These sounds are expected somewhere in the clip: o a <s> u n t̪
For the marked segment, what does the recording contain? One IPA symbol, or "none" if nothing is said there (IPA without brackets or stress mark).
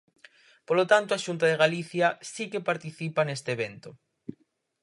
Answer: ʃ